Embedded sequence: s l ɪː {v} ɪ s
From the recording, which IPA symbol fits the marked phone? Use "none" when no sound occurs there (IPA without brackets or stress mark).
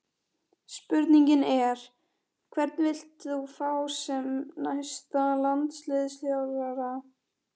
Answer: ð